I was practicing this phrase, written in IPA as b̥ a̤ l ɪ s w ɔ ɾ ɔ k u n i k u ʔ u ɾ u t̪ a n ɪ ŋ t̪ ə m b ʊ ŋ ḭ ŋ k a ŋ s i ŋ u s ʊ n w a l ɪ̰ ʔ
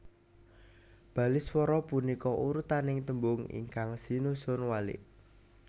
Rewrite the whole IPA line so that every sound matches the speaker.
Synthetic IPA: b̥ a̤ l ɪ s w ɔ ɾ ɔ p u n i k ɔ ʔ u ɾ u t̪ a n ɪ ŋ t̪ ə m b ʊ ŋ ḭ ŋ k a ŋ s i n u s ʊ n w a l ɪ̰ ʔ

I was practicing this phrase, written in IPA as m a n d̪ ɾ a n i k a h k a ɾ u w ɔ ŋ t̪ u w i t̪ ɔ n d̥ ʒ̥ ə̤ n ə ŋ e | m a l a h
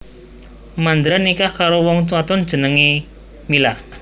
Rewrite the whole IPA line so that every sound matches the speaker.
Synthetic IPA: m a n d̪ ɾ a n i k a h k a ɾ o w ɔ ŋ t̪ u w a t̪ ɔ n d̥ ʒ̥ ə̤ n ə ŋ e | m i l a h

